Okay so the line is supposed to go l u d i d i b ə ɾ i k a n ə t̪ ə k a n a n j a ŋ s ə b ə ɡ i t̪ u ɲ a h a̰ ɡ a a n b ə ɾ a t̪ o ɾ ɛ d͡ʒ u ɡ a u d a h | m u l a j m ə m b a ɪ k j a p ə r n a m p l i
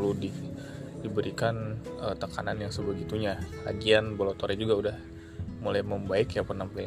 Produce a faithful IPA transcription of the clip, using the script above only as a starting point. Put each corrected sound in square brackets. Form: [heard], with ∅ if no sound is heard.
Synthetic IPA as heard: l u d i d i b ə ɾ i k a n ə t̪ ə k a n a n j a ŋ s ə b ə ɡ i t̪ u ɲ a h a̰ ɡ [i] a n b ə [l] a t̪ o ɾ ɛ d͡ʒ u ɡ a u d a h | m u l a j m ə m b a ɪ k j a p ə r n a m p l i